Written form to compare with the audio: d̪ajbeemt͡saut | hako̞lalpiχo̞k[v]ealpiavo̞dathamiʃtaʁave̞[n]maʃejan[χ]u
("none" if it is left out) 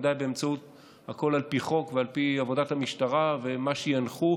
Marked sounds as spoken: v, none, χ

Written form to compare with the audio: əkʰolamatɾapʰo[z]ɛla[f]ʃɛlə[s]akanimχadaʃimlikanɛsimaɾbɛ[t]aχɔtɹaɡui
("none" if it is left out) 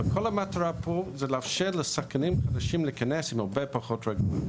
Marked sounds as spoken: z, f, s, p

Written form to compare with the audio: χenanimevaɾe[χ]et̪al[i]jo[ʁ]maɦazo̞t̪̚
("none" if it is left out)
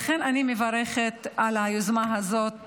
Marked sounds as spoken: χ, a, z

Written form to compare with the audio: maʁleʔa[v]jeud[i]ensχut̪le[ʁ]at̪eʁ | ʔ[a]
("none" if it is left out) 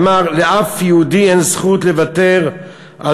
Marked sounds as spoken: f, i, v, a

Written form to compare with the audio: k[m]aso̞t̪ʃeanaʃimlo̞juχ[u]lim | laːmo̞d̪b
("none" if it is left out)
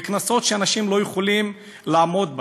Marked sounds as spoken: n, o

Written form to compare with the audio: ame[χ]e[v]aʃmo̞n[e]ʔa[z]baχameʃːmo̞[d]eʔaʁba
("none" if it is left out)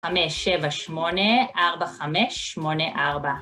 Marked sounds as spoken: ʃ, v, e, ʁ, n

